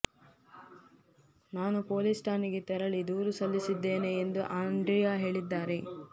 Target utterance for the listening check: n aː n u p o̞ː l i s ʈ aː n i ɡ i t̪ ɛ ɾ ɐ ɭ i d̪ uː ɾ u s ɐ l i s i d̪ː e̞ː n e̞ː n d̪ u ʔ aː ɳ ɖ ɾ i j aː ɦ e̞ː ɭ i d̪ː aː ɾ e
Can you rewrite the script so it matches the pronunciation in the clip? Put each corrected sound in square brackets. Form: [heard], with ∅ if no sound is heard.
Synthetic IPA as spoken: n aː n u p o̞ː l i s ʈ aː n i ɡ [e] t̪ ɛ ɾ ɐ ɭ i d̪ uː ɾ u s ɐ [lː] i s i d̪ː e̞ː n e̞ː n d̪ u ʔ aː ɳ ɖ ɾ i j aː ɦ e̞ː ɭ i d̪ː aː ɾ e